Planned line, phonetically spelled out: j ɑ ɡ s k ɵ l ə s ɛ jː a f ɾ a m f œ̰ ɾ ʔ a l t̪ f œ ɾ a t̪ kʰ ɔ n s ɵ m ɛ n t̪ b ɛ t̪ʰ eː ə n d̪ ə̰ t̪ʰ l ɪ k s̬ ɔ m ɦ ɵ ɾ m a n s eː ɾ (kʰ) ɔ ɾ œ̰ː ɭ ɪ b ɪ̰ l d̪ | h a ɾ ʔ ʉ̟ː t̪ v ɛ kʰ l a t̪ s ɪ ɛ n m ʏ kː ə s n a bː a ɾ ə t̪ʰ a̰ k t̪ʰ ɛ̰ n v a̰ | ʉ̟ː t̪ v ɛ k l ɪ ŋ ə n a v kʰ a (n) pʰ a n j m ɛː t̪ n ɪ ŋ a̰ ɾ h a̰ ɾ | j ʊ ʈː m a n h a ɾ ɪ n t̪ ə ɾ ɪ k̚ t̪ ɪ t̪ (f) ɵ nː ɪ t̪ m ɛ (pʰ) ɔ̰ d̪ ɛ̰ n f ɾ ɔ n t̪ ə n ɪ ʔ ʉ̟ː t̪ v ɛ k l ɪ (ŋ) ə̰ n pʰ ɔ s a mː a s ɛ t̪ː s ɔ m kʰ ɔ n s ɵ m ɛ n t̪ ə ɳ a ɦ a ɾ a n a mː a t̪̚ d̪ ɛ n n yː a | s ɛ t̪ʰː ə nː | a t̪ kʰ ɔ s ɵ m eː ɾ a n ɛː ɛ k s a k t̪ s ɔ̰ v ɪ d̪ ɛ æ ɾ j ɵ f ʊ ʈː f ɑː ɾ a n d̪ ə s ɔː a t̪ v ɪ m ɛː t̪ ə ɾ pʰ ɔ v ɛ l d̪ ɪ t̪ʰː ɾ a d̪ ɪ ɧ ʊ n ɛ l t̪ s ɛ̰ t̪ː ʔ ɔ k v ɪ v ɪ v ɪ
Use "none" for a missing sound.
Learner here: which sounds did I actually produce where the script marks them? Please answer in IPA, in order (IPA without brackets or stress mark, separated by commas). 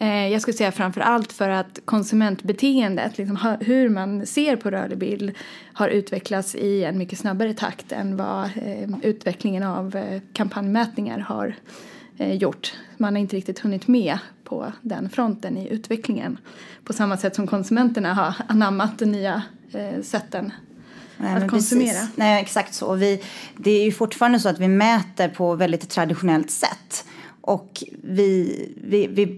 pʰ, m, h, pʰ, ŋ